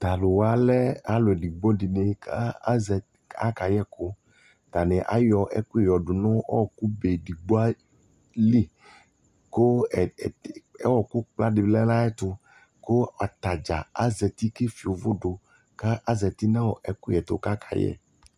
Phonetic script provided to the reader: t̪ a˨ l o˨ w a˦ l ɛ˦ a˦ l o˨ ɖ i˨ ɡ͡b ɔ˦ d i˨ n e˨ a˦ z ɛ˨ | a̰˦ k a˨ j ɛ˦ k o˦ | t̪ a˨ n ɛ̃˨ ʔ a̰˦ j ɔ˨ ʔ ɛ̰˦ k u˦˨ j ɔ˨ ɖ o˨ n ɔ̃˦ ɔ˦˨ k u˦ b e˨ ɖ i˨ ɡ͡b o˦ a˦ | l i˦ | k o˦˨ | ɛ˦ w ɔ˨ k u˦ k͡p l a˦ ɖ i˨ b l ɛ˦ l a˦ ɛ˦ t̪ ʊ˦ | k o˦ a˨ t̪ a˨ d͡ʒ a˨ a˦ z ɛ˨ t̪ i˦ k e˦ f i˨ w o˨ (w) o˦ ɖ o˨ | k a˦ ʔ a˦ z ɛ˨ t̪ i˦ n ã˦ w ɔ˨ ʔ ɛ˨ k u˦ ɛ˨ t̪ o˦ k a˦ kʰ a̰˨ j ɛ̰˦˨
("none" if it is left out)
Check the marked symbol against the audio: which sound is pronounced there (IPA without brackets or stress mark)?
v